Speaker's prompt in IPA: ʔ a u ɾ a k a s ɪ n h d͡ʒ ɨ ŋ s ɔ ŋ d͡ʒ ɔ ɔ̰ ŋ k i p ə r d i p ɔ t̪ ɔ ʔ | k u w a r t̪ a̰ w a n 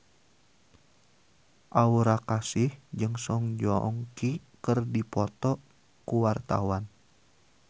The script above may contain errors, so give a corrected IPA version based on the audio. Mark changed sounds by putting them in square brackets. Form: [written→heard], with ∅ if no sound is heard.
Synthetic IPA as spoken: ʔ a u ɾ a k a s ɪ [n→∅] h d͡ʒ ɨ ŋ s ɔ ŋ d͡ʒ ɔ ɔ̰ ŋ k i [p→k] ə r d i p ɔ t̪ ɔ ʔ | k u w a r t̪ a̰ w a n